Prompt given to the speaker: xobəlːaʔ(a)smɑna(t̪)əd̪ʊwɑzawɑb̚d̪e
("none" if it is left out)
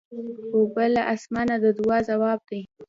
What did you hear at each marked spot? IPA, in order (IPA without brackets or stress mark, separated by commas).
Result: a, d̪